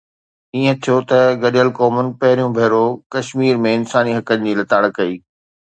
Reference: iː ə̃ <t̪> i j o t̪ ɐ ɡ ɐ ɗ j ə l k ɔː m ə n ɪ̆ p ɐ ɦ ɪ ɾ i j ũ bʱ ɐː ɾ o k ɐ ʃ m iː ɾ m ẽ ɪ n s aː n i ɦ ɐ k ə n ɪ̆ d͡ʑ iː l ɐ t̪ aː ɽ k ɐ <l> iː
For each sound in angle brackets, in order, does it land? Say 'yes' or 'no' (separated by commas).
no, no